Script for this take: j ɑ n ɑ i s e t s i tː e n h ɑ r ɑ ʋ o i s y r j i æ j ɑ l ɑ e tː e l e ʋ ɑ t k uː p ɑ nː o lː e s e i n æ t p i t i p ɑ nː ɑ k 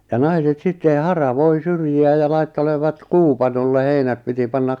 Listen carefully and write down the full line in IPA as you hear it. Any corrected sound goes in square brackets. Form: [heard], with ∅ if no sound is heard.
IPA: j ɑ n ɑ i s e t s i tː e n h ɑ r ɑ ʋ o i s y r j i æ j ɑ l ɑ [i] tː e l e ʋ ɑ t k uː p ɑ [n] o lː e [h] e i n æ t p i t i p ɑ nː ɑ k